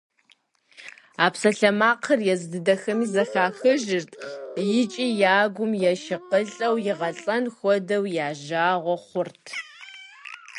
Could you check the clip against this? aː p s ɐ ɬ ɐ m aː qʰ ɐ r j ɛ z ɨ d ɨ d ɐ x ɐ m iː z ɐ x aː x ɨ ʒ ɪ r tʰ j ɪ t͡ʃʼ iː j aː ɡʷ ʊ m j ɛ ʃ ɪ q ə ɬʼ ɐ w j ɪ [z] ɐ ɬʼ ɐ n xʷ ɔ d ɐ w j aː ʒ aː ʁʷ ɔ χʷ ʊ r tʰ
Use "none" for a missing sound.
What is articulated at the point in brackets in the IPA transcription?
ʁ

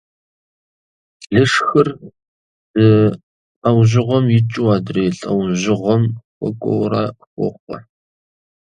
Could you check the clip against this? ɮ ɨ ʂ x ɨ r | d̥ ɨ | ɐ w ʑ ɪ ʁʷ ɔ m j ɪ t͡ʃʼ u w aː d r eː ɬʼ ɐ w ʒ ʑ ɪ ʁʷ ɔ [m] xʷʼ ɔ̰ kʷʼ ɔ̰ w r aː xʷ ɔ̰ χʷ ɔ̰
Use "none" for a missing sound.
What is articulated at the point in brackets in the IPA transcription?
m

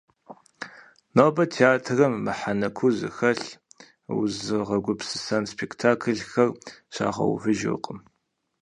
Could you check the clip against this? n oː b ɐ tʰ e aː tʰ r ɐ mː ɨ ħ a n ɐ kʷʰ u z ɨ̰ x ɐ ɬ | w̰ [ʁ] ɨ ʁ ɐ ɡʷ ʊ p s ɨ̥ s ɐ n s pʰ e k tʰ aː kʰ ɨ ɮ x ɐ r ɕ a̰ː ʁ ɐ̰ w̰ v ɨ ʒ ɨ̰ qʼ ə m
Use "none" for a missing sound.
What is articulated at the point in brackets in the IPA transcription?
z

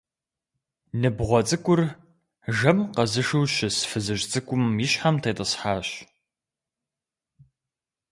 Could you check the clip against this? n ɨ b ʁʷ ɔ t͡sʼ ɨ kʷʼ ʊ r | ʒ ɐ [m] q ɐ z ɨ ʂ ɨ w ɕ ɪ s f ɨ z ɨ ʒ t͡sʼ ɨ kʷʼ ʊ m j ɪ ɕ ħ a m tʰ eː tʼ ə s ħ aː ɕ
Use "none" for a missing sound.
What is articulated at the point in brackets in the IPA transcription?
m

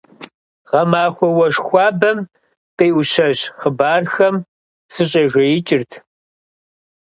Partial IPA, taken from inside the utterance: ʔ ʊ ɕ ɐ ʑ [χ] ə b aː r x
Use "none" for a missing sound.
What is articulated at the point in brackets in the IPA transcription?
χ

